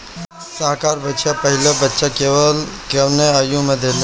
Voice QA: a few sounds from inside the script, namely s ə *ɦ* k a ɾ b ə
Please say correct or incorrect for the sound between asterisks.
correct